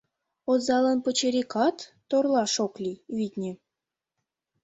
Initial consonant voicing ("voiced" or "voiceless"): voiced